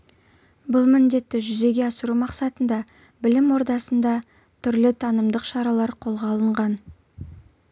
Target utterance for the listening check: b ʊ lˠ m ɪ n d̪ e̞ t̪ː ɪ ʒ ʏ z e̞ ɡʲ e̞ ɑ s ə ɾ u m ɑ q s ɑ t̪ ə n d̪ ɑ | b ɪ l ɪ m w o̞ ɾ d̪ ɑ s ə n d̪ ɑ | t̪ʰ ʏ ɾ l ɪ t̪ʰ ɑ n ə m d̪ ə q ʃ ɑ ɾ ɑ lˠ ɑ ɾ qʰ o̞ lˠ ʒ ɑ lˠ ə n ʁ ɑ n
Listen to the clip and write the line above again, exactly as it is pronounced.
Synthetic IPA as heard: b ʊ lˠ m ɪ n d̪ e̞ t̪ː ɪ ʒ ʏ z e̞ ɡʲ e̞ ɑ s ə ɾ u m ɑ q s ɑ t̪ ə n d̪ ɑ | b ɪ l ɪ m w o̞ ɾ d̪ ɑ s ə n d̪ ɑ | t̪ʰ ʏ ɾ l ɪ t̪ʰ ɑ n ə m d̪ ə q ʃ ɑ ɾ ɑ lˠ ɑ ɾ qʰ o̞ lˠ ʁ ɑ lˠ ə ɴ ʁ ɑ n